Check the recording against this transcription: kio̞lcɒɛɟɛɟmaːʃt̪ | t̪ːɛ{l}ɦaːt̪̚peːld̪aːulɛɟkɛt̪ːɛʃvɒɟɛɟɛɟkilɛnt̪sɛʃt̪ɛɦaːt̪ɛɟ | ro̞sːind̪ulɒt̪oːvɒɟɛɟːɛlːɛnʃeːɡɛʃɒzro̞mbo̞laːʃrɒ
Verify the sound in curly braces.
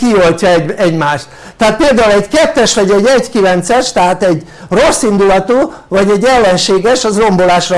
incorrect: none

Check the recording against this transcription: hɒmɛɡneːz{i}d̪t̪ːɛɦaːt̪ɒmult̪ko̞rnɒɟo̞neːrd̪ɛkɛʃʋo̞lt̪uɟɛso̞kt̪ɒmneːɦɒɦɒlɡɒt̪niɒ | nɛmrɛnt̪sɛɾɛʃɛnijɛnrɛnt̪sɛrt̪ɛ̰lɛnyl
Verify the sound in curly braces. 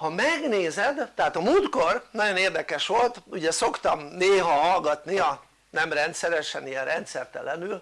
incorrect: ɛ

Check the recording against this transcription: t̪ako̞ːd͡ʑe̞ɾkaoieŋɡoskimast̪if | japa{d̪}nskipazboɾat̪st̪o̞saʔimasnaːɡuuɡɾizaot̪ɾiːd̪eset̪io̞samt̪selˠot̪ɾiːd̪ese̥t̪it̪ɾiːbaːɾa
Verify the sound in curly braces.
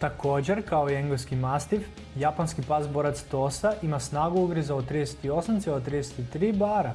incorrect: none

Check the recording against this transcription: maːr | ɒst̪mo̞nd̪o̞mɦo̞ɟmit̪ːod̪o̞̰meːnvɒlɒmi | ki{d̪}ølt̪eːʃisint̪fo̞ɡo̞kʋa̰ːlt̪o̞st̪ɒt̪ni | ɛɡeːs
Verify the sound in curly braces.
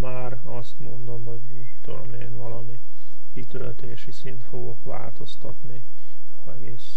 incorrect: t̪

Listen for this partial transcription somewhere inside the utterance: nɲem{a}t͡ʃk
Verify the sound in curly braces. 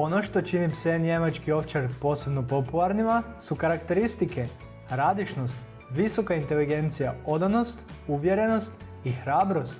correct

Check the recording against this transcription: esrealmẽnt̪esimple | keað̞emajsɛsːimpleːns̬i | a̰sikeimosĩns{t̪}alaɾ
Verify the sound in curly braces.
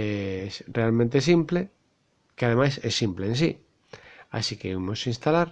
correct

